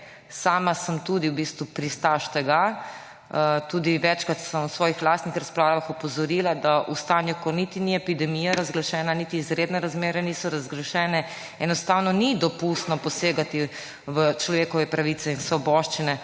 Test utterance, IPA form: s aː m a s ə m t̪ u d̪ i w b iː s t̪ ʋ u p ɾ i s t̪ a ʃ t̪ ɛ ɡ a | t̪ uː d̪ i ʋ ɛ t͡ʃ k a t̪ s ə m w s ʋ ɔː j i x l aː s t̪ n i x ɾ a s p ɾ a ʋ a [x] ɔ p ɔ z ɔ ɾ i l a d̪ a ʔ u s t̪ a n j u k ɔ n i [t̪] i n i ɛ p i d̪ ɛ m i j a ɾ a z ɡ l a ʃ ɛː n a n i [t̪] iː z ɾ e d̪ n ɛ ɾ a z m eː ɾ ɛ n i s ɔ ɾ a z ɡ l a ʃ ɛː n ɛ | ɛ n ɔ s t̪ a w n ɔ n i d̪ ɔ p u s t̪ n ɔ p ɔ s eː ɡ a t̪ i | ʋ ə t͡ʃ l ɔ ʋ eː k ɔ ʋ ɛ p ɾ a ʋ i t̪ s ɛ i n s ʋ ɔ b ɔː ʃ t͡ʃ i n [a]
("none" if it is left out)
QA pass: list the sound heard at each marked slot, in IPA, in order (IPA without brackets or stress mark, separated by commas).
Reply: x, t̪, t̪, ɛ